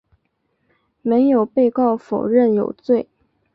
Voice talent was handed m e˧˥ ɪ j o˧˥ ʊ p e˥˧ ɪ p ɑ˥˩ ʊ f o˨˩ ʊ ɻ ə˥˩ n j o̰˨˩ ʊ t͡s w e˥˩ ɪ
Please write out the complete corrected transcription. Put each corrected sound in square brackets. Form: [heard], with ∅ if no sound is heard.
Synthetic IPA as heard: m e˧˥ ɪ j [o˨˩] ʊ p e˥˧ ɪ [k] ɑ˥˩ ʊ f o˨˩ ʊ ɻ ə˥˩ n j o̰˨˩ ʊ t͡s w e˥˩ ɪ